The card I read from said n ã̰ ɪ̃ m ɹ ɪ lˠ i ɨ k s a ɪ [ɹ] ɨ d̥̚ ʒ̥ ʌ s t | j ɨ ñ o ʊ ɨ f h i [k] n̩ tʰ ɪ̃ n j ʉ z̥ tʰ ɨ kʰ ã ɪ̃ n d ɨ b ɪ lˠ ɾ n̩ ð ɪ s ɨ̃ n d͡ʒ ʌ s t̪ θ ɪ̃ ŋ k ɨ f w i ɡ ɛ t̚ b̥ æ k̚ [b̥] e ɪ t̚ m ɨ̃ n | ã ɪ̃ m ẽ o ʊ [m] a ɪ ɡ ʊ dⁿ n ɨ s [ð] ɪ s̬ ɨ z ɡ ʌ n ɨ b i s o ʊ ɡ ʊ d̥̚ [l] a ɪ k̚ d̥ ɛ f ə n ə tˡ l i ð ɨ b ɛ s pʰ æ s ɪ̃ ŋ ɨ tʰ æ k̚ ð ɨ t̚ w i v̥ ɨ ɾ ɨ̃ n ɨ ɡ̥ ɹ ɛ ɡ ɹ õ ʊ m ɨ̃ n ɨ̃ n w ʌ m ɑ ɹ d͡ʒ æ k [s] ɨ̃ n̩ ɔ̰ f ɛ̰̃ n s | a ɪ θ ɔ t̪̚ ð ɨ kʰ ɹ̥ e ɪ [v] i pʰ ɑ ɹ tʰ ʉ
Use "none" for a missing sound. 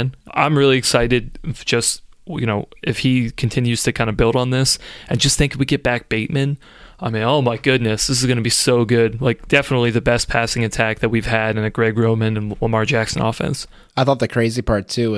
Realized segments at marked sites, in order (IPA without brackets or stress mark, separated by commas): ɾ, kʰ, b̥, m, ð, l, s, z